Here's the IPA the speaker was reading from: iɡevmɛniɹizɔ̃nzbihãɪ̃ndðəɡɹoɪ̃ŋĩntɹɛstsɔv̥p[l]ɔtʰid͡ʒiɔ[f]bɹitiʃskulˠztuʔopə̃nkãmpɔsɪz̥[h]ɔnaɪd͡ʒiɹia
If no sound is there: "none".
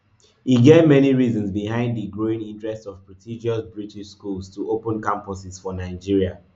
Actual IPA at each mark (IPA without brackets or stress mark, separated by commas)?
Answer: ɹ, s, f